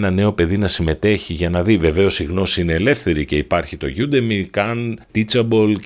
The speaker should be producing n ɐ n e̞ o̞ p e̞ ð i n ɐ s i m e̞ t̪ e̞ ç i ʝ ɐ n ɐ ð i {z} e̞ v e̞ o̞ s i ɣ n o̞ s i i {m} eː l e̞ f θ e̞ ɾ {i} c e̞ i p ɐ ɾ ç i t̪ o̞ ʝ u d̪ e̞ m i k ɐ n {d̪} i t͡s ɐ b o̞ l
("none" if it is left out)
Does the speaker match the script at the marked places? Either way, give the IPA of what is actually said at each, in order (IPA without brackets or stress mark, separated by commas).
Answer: v, n, i, t̪